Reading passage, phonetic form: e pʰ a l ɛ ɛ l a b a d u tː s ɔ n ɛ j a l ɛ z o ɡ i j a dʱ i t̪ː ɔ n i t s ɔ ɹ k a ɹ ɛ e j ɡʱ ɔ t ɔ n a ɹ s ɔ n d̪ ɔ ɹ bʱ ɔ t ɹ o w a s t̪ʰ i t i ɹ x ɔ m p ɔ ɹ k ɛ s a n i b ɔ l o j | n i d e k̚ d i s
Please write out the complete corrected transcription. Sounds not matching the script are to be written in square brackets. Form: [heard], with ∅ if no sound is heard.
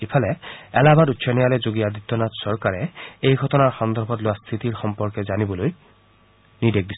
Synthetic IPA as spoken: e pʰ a l ɛ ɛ l a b a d u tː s ɔ n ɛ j a l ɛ z o ɡ i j a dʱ i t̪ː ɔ n [a] t s ɔ ɹ k a ɹ ɛ e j ɡʱ ɔ t ɔ n a ɹ [x] ɔ n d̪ ɔ ɹ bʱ ɔ t [l] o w a s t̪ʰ i t i ɹ x ɔ m p ɔ ɹ k ɛ [z] a n i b ɔ l o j | n i d e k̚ d i s